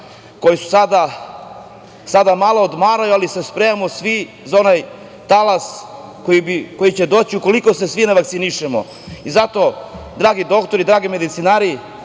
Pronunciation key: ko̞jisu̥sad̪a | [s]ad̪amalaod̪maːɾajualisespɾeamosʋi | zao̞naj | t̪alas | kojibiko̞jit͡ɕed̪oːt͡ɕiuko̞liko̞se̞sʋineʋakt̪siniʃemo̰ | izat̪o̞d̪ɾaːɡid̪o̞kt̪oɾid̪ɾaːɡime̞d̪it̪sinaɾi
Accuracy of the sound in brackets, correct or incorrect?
correct